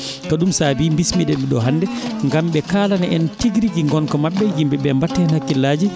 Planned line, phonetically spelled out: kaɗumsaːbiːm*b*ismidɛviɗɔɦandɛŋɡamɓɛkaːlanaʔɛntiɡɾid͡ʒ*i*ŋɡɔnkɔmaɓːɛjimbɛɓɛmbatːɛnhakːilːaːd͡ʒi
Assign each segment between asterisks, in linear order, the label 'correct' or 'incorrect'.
correct, correct

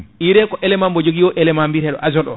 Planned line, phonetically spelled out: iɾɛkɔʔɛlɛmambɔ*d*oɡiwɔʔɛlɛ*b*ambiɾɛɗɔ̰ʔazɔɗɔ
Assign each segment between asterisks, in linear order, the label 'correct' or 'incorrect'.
incorrect: d͡ʒ, incorrect: m

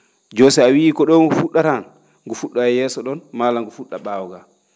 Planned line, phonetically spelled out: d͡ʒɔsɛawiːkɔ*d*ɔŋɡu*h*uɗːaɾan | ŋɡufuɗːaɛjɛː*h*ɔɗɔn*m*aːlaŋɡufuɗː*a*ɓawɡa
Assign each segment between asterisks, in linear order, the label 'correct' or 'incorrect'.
incorrect: ɗ, incorrect: f, incorrect: s, correct, correct

